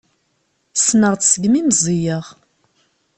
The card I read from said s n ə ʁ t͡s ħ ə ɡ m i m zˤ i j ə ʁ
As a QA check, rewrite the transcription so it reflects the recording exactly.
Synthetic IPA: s n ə ʁ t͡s s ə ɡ m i m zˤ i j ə ʁ